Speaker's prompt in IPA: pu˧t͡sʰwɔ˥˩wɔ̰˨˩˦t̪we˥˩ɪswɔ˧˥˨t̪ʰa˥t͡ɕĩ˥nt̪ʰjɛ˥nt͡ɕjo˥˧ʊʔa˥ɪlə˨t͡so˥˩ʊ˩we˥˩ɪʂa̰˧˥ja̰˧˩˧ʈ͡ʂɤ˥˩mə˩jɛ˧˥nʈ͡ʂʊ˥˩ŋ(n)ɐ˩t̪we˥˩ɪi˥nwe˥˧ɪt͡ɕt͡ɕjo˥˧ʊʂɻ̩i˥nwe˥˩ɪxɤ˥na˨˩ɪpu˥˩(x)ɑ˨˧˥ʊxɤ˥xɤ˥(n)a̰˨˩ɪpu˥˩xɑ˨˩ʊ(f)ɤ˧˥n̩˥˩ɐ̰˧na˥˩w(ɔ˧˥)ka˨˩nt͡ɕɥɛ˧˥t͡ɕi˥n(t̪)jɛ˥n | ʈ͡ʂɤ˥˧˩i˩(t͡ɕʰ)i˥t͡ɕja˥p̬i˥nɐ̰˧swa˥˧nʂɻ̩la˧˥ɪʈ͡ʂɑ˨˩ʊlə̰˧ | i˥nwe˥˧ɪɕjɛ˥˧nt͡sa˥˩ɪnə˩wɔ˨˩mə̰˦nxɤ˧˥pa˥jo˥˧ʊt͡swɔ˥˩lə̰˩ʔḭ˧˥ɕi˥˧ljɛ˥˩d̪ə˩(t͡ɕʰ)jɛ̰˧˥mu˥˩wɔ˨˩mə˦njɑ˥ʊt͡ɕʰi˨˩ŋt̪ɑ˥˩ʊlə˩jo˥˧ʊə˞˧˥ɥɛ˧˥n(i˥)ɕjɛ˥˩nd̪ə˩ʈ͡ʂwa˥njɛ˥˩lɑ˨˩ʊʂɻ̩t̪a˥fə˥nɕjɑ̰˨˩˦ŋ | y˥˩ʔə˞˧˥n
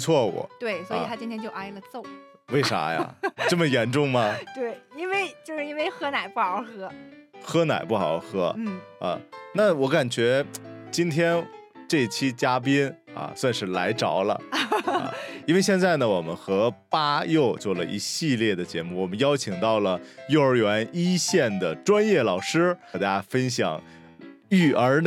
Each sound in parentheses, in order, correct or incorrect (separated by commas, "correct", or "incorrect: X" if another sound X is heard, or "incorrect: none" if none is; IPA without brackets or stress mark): incorrect: m, correct, correct, incorrect: x, correct, incorrect: t̪ʰ, correct, incorrect: t͡ɕ, correct